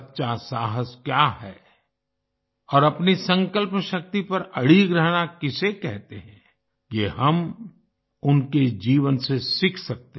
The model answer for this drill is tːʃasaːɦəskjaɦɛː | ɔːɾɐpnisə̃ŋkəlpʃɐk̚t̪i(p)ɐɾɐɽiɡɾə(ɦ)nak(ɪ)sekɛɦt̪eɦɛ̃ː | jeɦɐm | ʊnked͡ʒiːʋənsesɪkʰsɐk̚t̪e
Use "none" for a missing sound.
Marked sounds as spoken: p, ɦ, ɪ

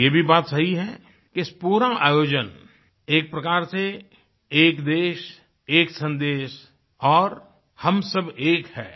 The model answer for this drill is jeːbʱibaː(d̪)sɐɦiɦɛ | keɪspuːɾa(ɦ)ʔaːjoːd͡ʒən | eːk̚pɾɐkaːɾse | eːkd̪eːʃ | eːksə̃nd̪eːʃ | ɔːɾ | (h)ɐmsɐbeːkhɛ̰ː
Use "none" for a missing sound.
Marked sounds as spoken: t̪, none, h

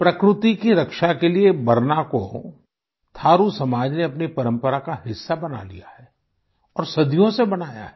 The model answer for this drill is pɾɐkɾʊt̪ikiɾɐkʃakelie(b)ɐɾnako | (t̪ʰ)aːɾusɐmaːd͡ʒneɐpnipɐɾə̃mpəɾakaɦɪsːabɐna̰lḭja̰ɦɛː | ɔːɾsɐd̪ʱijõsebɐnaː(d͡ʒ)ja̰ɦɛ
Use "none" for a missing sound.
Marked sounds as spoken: b, t̪ʰ, none

